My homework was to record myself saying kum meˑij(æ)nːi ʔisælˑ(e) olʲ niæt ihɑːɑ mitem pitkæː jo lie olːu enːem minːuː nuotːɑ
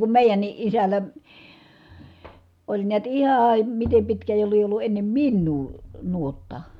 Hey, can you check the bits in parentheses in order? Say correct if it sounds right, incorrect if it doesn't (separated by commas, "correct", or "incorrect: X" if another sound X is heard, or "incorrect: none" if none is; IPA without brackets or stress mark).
correct, incorrect: æ